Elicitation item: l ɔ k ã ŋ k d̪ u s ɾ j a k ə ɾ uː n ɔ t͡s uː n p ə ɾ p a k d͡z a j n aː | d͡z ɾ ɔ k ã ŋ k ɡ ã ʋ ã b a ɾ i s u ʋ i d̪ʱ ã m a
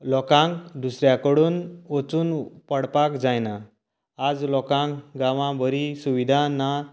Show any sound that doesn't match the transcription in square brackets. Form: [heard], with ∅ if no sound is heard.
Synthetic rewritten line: l ɔ k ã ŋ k d̪ u s ɾ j a k ə [ɽ] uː n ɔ t͡s uː n p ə [ɽ] p a k d͡z a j n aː | d͡z [l] ɔ k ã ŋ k ɡ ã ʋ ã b [ə] ɾ i s u ʋ i d̪ʱ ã [n] a